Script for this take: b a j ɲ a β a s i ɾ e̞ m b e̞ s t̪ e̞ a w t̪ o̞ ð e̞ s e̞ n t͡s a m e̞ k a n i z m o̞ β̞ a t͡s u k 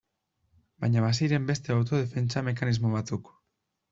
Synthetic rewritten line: b a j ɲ a β a s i ɾ e̞ m b e̞ s t̪ e̞ a w t̪ o̞ ð e̞ f e̞ n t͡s a m e̞ k a n i z m o̞ β̞ a t͡s u k